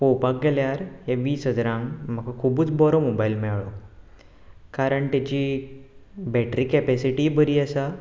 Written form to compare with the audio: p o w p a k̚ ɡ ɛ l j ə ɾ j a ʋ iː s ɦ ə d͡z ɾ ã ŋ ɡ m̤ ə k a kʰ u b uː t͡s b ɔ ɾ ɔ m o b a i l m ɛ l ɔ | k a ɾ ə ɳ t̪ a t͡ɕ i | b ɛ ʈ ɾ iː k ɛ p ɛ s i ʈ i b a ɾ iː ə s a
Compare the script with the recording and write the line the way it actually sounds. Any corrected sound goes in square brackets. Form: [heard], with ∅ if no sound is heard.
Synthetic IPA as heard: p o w p a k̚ ɡ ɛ l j [a] ɾ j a ʋ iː s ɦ ə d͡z ɾ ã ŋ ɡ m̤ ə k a kʰ u b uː t͡s b ɔ ɾ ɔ m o b a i l m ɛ [ɭ] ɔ | k a ɾ ə ɳ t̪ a t͡ɕ i | b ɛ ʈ ɾ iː k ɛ p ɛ s i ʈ i b [ə] ɾ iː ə s a